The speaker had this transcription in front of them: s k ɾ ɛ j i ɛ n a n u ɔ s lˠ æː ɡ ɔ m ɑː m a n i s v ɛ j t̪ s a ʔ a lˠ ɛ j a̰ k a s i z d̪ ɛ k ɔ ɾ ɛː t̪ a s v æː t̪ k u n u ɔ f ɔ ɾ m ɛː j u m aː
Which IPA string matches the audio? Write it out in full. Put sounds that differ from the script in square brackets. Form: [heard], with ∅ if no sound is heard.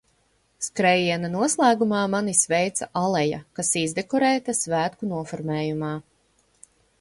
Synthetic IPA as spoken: s k ɾ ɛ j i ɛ n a n u ɔ s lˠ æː ɡ [u] m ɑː m a n i s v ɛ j t̪ s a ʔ a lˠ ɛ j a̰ k a s i z d̪ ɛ k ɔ ɾ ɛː t̪ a s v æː t̪ k u n u ɔ f ɔ ɾ m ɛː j u m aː

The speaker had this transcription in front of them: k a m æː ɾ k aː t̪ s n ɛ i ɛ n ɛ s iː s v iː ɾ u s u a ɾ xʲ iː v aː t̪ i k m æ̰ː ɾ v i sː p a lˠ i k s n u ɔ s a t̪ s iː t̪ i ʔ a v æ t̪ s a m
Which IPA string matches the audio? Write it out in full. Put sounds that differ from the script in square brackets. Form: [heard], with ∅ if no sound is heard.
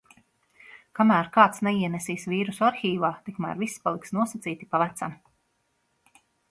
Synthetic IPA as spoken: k a m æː ɾ k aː t̪ s n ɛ i ɛ n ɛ s iː s v iː ɾ u s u a ɾ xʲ iː v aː t̪ i k m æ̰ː ɾ v i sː p a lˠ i k s n u ɔ s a t̪ s iː t̪ i [p] a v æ t̪ s a m

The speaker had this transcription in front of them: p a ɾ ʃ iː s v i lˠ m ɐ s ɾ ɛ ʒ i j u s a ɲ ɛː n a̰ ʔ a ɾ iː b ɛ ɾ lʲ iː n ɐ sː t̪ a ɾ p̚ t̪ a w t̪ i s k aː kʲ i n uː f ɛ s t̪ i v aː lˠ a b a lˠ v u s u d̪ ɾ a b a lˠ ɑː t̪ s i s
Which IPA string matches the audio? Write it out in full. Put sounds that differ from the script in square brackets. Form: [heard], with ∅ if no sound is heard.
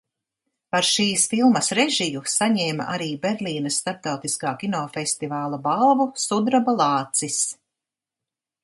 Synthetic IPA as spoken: p a ɾ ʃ iː s [f] i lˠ m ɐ s ɾ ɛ ʒ i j u s a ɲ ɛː [m] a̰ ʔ a ɾ iː b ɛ ɾ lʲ iː n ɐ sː t̪ a ɾ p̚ t̪ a w t̪ i s k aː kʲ i n [ɔː] f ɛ s t̪ i v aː lˠ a b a lˠ v u s u d̪ ɾ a b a lˠ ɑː t̪ s i s

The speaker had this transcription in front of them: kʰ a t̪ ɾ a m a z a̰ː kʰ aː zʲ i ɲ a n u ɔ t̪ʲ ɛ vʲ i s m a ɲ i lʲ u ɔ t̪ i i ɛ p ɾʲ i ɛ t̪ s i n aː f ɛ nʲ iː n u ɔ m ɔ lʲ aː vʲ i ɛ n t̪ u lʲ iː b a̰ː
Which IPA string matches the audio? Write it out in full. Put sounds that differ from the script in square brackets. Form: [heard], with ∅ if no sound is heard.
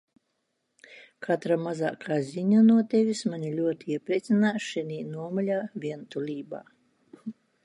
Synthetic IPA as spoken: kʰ a t̪ ɾ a m a z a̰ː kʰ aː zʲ i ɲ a n u ɔ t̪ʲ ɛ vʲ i s m a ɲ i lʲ u ɔ t̪ i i ɛ p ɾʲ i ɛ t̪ s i n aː [ʃ] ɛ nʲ iː n u ɔ m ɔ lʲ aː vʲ i ɛ n t̪ u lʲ iː b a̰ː

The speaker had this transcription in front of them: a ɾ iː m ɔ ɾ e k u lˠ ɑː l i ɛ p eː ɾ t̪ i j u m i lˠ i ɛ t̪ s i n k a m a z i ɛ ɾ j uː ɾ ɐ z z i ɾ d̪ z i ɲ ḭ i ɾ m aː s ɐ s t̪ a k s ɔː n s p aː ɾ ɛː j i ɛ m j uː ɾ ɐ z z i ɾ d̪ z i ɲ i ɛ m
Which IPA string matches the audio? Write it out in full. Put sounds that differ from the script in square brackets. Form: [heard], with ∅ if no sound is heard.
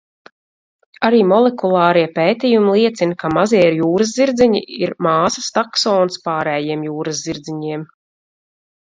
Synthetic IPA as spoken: a ɾ iː m ɔ [l] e k u lˠ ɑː [ɾ] i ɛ p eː [∅] t̪ i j u m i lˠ i ɛ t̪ s i n k a m a z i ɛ ɾ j uː ɾ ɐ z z i ɾ d̪ z i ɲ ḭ i ɾ m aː s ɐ s t̪ a k s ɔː n s p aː ɾ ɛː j i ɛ m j uː ɾ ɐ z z i ɾ d̪ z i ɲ i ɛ m

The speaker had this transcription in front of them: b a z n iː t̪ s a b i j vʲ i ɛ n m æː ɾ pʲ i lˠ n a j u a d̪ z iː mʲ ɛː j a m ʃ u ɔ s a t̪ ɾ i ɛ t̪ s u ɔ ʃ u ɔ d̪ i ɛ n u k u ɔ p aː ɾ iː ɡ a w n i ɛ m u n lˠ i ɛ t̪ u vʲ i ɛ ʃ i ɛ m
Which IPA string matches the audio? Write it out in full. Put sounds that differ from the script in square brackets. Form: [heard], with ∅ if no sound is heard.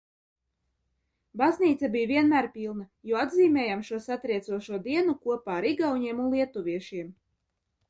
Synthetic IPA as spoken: b a z n iː t̪ s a b i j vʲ i ɛ n m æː ɾ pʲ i lˠ n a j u a d̪ z iː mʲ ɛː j a m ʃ u ɔ s a t̪ ɾ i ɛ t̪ s u ɔ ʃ u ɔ d̪ i ɛ n u k u ɔ p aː ɾ [i] ɡ a w [ɲ] i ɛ m u n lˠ i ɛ t̪ u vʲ i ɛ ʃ i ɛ m

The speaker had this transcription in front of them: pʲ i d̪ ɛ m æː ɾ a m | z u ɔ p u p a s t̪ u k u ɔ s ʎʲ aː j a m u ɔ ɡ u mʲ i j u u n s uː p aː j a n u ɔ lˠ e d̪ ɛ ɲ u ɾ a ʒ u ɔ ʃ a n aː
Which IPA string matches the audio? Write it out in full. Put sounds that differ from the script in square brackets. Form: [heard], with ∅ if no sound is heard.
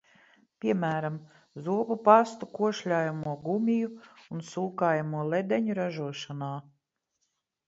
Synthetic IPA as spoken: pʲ i [∅] ɛ m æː ɾ a m | z u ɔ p u p a s t̪ u k u ɔ [ʃ] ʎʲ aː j a m u ɔ ɡ u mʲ i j u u n s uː [k] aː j a [m] u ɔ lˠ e d̪ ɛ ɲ u ɾ a ʒ u ɔ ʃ a n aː

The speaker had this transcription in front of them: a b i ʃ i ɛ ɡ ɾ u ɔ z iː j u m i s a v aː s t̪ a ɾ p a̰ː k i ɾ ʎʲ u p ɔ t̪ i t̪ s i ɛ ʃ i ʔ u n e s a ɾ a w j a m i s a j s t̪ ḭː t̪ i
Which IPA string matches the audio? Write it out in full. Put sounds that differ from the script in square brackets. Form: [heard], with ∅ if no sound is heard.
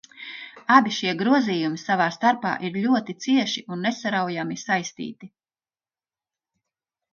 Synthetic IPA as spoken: a b i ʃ i ɛ ɡ ɾ u ɔ z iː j u m i s a v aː s t̪ a ɾ p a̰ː [ʔ] i ɾ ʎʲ u [∅] ɔ t̪ i t̪ s i ɛ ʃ i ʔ u [nː] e s a ɾ a w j a m i s a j s t̪ ḭː t̪ i

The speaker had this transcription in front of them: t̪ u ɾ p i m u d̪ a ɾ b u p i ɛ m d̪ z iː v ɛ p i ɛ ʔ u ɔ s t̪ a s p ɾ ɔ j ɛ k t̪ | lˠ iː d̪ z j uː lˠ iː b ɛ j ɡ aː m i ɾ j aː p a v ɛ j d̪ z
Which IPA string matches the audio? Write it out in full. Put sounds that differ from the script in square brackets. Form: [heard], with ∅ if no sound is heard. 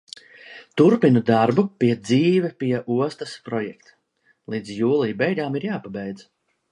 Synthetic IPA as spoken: t̪ u ɾ p i [n] u d̪ a ɾ b u p i ɛ [∅] d̪ z iː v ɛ p i ɛ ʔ u ɔ s t̪ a s p ɾ ɔ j ɛ k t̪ | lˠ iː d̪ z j uː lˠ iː b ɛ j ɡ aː m i ɾ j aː p a [b] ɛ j d̪ z

